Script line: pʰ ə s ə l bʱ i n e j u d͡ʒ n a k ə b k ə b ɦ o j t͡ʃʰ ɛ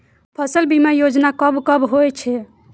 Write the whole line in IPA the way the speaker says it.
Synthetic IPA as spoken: pʰ ə s ə l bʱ i m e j o d͡ʒ n a k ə b k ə b ɦ o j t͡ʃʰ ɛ